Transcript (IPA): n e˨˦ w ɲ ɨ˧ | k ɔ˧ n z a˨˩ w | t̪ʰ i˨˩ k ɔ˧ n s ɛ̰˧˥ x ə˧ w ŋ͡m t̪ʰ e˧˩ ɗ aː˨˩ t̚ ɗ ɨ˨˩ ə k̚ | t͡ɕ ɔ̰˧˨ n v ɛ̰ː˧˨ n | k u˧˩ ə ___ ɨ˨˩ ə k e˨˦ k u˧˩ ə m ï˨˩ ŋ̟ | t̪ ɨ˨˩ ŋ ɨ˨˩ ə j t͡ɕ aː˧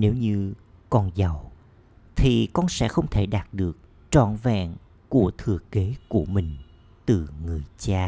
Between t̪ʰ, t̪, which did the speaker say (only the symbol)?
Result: t̪ʰ